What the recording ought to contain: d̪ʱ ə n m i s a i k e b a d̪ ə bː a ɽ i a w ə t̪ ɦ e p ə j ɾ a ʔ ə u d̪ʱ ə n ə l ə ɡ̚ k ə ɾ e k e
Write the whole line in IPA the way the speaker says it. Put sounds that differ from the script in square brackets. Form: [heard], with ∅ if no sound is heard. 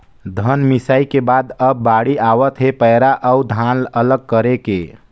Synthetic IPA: d̪ʱ ə n m i s a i k e b a d̪ ə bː a ɽ i a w ə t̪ ɦ e p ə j ɾ a ʔ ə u d̪ʱ [a] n ə l ə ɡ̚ k ə ɾ e k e